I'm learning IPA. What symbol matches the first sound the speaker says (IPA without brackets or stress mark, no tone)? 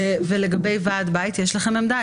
v